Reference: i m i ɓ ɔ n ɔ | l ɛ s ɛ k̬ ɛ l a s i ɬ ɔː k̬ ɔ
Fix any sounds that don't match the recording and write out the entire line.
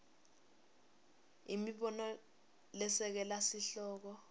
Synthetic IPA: i m i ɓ ɔ n ɔ | l ɛ s ɛ k̬ ɛ l a s i ɬ ɔː k̬ ɔ